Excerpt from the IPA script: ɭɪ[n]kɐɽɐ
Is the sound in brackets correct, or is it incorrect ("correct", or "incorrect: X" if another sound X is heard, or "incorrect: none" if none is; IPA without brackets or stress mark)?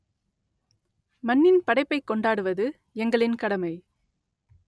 correct